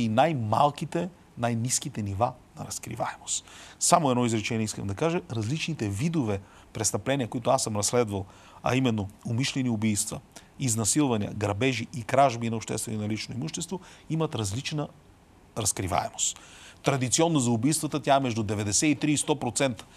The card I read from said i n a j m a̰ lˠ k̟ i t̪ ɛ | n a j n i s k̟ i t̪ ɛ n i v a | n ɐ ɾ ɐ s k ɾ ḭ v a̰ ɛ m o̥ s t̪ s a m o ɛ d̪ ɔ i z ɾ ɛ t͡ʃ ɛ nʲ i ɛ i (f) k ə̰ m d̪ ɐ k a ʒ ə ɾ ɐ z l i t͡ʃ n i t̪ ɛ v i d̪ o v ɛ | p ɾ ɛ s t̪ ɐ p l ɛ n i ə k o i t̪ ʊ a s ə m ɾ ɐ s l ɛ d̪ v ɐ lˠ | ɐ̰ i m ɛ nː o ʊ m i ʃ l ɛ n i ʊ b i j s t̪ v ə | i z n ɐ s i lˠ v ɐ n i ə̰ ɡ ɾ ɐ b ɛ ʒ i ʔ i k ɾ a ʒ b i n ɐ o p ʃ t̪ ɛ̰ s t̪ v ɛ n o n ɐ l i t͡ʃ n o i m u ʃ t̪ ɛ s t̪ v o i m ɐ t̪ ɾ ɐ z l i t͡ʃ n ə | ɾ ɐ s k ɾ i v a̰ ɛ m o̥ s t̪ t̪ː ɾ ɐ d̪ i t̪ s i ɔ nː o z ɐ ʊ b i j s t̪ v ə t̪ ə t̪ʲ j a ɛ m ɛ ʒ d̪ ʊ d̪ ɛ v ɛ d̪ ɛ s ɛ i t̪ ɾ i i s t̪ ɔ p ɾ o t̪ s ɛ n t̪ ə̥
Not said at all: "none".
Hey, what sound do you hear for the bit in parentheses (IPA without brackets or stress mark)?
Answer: s